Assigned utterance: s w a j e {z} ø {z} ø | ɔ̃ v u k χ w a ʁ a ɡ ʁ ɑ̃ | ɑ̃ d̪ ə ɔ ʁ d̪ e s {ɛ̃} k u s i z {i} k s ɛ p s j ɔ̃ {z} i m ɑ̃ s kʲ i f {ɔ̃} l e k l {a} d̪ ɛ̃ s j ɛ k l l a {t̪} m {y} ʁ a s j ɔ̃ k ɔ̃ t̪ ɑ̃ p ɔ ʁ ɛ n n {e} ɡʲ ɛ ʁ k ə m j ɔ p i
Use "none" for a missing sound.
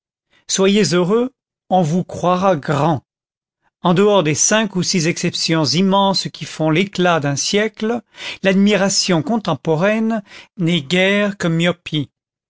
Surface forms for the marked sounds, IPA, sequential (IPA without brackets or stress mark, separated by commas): z, ʁ, ɛ̃, ɛ, z, ɔ̃, a, d̪, i, ɛ